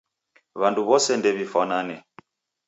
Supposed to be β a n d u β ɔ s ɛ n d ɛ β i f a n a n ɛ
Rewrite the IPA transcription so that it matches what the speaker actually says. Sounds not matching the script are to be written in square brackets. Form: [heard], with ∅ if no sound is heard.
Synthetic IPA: β a n d u β ɔ s ɛ n d ɛ β i f a n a n ɛ